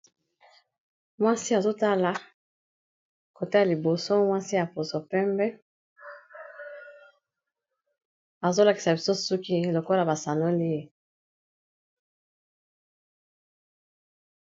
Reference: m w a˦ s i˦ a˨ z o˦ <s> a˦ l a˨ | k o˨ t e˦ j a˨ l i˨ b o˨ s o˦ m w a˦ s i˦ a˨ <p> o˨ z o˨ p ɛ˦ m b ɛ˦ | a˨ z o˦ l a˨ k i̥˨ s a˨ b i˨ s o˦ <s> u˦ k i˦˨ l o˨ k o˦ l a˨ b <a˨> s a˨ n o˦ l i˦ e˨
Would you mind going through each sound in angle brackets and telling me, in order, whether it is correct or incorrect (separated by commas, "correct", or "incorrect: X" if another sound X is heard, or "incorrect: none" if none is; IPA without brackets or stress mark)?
incorrect: t, correct, correct, correct